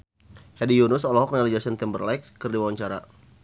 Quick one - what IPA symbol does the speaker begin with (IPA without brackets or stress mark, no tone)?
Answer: h